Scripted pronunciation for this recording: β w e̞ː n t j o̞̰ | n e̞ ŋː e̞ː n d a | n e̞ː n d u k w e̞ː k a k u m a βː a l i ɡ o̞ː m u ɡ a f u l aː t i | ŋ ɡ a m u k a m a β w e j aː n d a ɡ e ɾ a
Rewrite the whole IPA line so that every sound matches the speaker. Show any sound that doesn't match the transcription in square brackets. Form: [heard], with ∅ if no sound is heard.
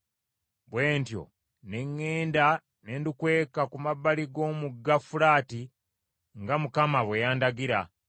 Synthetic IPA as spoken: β w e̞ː n t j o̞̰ | n e̞ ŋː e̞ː n d a | n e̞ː n d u k w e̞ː k a k u m a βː a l i ɡ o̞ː m u ɡ a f u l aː t i | ŋ ɡ a m u k a m a β w e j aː n d a ɡ [i] ɾ a